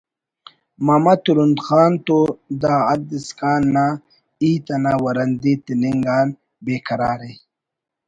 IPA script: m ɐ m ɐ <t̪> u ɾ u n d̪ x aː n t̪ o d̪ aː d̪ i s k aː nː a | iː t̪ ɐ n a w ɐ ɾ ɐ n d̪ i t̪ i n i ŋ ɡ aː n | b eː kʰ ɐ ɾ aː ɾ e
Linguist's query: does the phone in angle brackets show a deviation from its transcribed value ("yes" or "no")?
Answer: no